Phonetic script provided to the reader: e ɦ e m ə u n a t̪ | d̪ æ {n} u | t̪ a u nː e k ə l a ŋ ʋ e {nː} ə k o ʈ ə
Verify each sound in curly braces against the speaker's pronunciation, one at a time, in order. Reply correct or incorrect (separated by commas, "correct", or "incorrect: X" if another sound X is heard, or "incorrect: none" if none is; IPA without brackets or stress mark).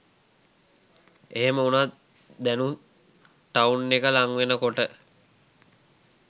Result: correct, incorrect: n